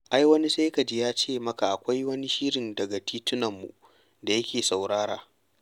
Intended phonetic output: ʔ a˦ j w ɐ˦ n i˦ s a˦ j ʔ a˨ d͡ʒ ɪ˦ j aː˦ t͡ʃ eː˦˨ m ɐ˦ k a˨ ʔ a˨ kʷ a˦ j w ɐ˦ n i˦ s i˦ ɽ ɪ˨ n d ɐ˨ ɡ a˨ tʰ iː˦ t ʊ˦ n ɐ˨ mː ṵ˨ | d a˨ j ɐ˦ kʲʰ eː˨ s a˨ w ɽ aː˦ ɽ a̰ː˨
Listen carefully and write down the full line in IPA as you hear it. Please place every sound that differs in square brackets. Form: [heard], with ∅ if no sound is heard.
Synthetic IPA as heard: ʔ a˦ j w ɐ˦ n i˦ s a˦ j [k] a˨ d͡ʒ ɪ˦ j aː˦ t͡ʃ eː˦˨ m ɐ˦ k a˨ ʔ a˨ kʷ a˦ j w ɐ˦ n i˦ [ʃ] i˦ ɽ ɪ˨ n d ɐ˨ ɡ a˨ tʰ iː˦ t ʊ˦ n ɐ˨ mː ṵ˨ | d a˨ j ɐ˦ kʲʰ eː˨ s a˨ w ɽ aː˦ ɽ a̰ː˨